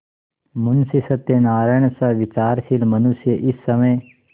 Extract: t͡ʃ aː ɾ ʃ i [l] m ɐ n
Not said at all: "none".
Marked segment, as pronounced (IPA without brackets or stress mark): l